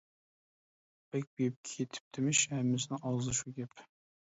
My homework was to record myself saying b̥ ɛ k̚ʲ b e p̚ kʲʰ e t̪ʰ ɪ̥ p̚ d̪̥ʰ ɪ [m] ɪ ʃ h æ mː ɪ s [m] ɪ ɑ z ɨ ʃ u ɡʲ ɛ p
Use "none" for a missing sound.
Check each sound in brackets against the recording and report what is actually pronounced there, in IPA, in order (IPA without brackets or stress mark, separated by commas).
m, n